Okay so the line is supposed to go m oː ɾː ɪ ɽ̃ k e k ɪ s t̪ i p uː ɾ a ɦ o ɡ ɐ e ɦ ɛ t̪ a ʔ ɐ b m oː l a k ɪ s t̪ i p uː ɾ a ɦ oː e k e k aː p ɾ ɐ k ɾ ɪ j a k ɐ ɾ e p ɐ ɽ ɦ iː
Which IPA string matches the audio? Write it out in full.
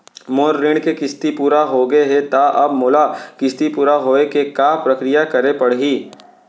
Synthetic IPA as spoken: m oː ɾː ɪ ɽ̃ k e k ɪ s t̪ i p uː ɾ a ɦ o ɡ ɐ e ɦ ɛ t̪ a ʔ ɐ b m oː l a k ɪ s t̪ i p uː ɾ a ɦ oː e k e k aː p ɾ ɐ k ɾ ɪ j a k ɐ ɾ e p ɐ ɽ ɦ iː